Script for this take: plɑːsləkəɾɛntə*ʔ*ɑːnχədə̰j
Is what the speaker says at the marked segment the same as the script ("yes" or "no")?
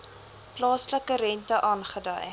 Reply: yes